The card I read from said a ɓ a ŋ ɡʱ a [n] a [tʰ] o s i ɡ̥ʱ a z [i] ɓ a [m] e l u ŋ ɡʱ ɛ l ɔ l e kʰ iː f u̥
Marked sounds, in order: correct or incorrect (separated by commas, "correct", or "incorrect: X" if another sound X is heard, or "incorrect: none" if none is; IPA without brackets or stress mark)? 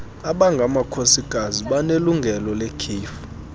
incorrect: m, incorrect: kʰ, correct, incorrect: n